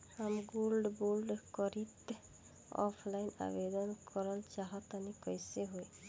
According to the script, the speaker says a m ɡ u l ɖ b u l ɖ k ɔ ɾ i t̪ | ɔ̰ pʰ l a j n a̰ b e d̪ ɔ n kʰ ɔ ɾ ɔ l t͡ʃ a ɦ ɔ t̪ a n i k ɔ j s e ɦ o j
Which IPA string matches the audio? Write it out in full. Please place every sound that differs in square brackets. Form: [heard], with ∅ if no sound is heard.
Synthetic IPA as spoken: a m ɡ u l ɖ b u l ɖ k ɔ ɾ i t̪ | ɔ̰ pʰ l a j n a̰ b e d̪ ɔ n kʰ ɔ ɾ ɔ l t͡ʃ a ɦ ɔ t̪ a n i k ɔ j s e ɦ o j